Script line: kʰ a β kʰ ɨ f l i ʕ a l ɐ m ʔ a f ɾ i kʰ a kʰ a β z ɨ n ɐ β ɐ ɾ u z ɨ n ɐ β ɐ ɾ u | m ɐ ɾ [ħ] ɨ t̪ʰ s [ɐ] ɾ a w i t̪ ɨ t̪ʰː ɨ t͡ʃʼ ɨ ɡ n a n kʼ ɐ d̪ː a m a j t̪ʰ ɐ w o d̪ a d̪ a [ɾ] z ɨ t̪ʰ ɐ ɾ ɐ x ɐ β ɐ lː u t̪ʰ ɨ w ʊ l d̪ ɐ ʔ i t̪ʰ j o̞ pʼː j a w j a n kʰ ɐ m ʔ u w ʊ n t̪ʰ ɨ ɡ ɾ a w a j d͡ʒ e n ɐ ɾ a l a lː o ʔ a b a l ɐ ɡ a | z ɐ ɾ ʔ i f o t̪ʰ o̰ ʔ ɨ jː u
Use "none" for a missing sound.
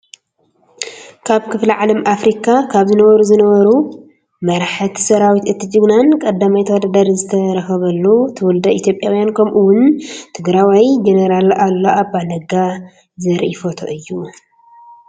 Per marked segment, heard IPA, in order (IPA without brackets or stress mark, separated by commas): ħ, ɐ, ɾ